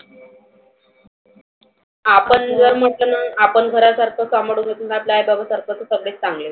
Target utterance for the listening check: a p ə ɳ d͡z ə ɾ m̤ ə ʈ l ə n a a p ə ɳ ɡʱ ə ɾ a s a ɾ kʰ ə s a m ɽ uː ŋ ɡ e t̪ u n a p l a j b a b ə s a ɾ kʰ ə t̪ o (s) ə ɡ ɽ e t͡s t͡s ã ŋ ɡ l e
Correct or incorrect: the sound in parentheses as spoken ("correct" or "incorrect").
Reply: correct